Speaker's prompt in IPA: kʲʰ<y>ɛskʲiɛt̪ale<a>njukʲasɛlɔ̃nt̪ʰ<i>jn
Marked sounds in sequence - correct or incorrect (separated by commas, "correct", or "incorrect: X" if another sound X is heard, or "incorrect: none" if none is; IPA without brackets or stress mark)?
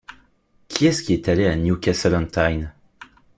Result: incorrect: i, correct, incorrect: a